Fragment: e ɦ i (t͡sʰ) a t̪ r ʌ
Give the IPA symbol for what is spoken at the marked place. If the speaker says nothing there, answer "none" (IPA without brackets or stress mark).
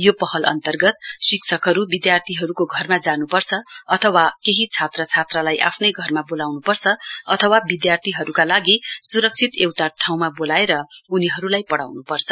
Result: t͡sʰ